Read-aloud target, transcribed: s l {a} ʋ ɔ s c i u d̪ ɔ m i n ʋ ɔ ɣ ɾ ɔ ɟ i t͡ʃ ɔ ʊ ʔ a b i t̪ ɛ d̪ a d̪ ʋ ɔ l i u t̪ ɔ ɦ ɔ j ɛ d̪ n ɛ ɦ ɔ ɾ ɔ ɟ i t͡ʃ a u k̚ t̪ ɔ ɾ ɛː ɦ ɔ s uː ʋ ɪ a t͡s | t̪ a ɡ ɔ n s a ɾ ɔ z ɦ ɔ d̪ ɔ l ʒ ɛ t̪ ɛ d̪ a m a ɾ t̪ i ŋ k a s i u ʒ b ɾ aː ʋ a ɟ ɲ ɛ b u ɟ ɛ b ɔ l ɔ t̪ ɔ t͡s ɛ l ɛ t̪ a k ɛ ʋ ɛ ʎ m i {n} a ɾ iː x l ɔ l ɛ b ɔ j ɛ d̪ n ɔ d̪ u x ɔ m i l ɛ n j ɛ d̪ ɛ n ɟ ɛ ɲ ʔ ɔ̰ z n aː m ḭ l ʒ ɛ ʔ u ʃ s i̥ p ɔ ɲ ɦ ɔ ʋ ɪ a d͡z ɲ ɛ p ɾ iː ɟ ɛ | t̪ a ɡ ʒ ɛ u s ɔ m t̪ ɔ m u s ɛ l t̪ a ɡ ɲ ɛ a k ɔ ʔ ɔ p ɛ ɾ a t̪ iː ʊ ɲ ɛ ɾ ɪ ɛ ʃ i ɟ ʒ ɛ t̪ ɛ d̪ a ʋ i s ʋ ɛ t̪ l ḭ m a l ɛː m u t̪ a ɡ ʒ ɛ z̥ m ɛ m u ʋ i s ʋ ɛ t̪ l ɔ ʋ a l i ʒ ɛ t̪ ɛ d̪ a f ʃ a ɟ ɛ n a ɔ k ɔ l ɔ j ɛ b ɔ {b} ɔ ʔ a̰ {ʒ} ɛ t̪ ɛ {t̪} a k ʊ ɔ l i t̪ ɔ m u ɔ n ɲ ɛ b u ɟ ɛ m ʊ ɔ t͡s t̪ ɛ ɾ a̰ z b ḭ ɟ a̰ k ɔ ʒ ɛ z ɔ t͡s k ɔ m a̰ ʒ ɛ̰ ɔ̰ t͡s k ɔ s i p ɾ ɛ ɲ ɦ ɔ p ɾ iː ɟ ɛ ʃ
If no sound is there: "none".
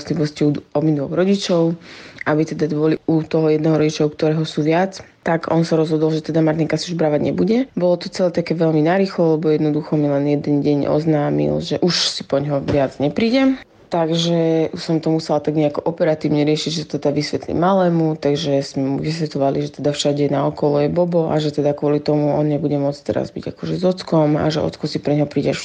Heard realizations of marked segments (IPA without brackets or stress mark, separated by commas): i, n, b, ʒ, d̪